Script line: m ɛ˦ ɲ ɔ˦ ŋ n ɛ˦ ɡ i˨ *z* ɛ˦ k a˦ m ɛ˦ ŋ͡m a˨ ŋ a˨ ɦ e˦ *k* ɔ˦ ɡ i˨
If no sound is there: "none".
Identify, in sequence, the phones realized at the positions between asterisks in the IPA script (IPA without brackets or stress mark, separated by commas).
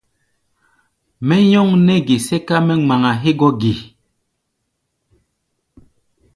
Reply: s, ɡ